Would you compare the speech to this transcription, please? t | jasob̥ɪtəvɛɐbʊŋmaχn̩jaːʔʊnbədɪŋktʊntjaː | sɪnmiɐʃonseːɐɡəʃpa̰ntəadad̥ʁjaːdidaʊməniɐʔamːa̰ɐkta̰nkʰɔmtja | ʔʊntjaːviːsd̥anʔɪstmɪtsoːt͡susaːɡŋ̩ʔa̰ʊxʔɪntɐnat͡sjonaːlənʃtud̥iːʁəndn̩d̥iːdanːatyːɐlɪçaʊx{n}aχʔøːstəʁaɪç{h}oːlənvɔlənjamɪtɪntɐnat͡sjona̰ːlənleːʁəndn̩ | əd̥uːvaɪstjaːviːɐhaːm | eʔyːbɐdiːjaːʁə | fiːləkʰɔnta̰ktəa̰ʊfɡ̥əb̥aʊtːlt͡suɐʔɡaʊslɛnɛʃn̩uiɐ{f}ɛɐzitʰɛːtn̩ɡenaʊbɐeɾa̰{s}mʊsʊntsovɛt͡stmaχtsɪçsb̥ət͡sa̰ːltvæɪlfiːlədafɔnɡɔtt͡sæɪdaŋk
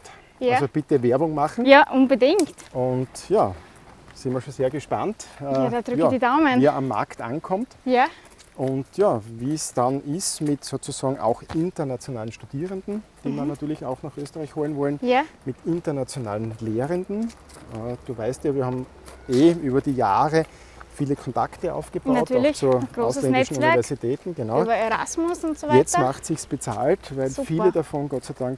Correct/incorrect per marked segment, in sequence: correct, correct, incorrect: v, correct

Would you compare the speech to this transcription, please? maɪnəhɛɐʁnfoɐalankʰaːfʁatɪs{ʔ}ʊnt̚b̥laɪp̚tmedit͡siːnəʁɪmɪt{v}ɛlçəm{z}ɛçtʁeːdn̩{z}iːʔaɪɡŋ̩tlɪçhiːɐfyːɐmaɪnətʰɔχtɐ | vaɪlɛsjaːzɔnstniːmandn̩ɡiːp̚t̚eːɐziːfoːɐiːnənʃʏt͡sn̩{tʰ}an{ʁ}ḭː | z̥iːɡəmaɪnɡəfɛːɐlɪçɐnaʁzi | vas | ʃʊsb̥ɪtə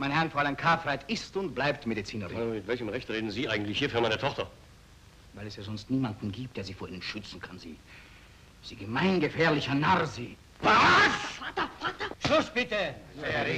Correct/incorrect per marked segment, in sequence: incorrect: t, correct, incorrect: ʁ, correct, incorrect: kʰ, incorrect: z

